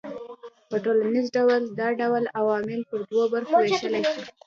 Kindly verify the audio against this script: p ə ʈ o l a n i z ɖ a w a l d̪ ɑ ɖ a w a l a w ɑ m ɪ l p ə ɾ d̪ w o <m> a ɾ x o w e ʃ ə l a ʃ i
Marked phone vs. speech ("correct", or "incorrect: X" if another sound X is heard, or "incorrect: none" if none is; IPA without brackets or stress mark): incorrect: b